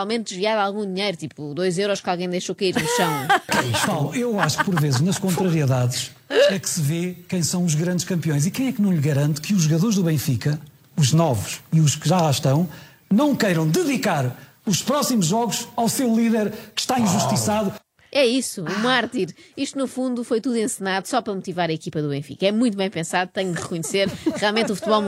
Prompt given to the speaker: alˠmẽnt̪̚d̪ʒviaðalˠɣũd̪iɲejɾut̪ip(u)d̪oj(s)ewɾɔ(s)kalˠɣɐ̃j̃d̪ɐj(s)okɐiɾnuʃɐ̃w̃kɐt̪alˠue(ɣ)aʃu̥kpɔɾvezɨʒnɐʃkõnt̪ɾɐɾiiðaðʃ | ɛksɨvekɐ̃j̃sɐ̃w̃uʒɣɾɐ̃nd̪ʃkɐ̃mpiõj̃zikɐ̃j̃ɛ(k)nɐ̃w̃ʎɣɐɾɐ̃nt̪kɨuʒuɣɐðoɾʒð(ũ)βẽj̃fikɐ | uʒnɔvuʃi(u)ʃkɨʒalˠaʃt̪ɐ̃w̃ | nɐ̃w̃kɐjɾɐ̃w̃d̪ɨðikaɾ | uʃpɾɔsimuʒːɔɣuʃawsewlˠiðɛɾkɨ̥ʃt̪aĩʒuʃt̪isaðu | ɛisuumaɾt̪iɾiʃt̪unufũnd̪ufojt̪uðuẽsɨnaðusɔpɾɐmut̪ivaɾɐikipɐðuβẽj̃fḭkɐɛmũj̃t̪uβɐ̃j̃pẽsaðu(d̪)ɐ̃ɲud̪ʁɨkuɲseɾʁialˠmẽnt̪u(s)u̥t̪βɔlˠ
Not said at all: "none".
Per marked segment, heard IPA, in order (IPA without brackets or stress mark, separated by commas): u, z, ʃ, ʃ, w, k, u, u, t̪, f